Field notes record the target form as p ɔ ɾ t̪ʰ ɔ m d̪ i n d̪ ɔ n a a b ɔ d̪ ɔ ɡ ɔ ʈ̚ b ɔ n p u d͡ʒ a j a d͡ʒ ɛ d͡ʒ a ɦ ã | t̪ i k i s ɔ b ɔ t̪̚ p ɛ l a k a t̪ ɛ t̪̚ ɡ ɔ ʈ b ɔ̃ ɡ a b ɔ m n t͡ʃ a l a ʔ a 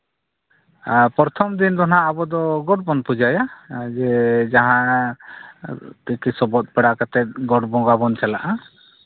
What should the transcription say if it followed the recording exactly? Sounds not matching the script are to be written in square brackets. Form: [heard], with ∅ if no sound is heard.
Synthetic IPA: p ɔ ɾ t̪ʰ ɔ m d̪ i n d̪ ɔ n a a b ɔ d̪ ɔ ɡ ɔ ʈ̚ b ɔ n p u d͡ʒ a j a d͡ʒ ɛ d͡ʒ a ɦ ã | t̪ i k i s ɔ b ɔ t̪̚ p ɛ [ɽ] a k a t̪ ɛ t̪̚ ɡ ɔ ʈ b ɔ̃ ɡ a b ɔ [∅] n t͡ʃ a l a ʔ a

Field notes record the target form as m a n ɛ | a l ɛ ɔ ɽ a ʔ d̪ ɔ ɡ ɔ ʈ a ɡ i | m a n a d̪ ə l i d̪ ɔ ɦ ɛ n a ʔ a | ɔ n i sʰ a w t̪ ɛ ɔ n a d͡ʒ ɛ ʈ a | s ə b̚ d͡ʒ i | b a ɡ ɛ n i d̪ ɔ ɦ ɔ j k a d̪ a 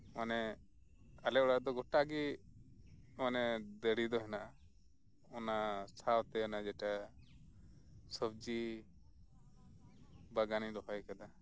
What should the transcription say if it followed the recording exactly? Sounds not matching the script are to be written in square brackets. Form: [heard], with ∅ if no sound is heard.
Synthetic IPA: m a n ɛ | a l ɛ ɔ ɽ a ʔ d̪ ɔ ɡ ɔ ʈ a ɡ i | m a n [ɛ] d̪ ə [ɽ] i d̪ ɔ ɦ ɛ n a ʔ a | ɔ n [a] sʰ a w t̪ ɛ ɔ n a d͡ʒ ɛ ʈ a | s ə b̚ d͡ʒ i | b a ɡ [a] n i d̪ ɔ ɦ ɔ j k a d̪ a

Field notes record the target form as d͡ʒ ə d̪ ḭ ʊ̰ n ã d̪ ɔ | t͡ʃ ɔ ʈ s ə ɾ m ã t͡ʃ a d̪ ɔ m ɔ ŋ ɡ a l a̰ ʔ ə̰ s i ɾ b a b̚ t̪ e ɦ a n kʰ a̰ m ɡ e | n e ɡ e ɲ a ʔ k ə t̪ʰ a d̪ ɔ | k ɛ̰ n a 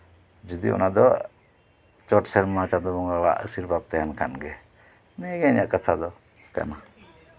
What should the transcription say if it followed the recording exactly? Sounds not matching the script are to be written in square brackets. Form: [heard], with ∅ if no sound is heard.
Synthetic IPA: d͡ʒ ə d̪ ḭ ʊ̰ n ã d̪ ɔ | t͡ʃ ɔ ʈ s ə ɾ m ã t͡ʃ a d̪ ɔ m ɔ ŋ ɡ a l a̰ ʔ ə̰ s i ɾ b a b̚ t̪ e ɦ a n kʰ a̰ [n] ɡ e | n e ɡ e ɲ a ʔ k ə t̪ʰ a d̪ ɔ | k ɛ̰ n a

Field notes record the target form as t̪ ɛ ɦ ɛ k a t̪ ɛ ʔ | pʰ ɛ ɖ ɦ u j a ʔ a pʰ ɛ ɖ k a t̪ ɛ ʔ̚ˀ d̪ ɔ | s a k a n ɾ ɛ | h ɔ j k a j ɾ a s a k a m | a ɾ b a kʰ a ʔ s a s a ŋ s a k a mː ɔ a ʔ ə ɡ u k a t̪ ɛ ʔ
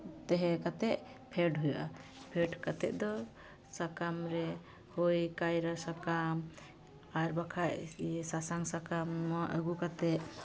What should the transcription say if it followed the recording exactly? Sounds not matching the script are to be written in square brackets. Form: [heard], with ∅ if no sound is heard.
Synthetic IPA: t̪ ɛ ɦ ɛ k a t̪ ɛ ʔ | pʰ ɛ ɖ ɦ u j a ʔ a pʰ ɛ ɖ k a t̪ ɛ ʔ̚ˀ d̪ ɔ | s a k a [m] ɾ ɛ | h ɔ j k a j ɾ a s a k a m | a ɾ b a kʰ a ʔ s a s a ŋ s a k a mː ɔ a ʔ ə ɡ u k a t̪ ɛ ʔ

